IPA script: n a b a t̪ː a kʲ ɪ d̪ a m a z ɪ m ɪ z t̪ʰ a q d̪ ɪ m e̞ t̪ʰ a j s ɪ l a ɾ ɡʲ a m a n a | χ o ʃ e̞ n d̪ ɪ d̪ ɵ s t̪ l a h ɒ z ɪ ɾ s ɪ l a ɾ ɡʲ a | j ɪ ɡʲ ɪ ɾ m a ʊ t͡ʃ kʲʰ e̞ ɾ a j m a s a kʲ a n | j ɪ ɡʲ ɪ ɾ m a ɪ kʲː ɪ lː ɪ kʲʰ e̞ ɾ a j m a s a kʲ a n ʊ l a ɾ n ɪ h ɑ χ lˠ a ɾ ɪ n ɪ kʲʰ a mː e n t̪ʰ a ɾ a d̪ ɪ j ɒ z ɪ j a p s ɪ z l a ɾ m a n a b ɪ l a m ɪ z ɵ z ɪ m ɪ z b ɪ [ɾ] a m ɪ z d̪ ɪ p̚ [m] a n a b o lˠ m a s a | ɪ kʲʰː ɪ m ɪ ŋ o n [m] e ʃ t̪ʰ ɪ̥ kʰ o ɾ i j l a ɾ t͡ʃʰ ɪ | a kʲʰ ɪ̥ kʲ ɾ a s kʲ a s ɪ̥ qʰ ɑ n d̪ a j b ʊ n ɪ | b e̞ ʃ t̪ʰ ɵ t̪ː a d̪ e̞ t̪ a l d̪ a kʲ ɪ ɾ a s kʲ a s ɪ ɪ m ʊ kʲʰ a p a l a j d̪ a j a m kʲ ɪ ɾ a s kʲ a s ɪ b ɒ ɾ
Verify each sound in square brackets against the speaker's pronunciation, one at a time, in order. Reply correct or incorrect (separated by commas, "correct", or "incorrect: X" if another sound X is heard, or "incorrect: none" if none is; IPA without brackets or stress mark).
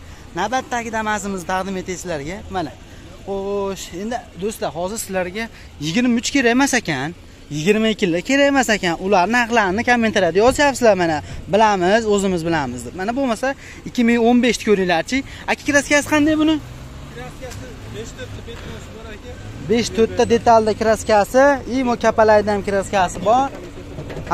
incorrect: l, correct, incorrect: b